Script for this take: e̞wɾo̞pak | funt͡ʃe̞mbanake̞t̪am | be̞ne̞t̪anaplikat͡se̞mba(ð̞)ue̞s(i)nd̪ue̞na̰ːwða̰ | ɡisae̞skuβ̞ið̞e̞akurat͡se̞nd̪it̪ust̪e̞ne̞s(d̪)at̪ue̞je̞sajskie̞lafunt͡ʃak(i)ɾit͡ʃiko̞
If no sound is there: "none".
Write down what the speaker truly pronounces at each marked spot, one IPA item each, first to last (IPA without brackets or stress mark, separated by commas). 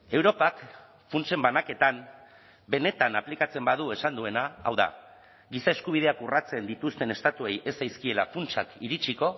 ð̞, a, t̪, i